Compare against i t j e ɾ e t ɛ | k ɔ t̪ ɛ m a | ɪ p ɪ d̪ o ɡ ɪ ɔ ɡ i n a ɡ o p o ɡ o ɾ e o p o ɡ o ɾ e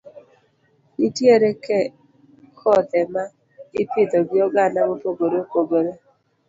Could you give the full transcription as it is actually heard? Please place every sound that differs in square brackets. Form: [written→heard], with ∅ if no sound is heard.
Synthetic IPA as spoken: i t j e ɾ e [t→k] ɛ | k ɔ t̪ ɛ m a | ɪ p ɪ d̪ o ɡ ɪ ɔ ɡ [i→a] n a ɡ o p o ɡ o ɾ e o p o ɡ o ɾ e